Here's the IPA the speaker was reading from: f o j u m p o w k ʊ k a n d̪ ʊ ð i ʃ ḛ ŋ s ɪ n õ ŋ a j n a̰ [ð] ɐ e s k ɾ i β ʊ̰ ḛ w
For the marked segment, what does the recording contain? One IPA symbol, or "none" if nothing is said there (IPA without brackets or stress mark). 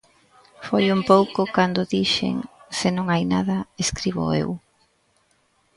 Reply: ð